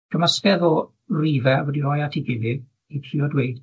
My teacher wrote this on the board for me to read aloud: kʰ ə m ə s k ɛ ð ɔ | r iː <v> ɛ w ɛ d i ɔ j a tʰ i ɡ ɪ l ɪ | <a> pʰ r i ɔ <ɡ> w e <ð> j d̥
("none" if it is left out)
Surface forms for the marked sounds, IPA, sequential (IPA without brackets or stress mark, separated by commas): v, i, d, none